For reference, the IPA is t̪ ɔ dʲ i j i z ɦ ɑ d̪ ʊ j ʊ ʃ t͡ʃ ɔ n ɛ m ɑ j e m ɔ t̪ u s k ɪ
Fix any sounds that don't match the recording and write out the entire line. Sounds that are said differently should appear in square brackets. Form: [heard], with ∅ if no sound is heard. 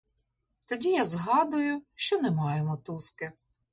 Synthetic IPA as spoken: t̪ ɔ dʲ i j [a] z ɦ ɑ d̪ ʊ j ʊ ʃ t͡ʃ ɔ n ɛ m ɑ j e m ɔ t̪ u s k ɪ